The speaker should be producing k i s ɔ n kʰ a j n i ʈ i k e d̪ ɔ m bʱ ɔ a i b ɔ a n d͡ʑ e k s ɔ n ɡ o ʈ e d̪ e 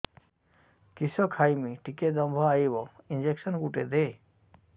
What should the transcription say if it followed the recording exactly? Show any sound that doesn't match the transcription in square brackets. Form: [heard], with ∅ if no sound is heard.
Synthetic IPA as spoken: k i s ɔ [∅] kʰ a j [m] i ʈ i k e d̪ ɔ m bʱ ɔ a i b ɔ [i] n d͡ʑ e k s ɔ n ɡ [u] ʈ e d̪ e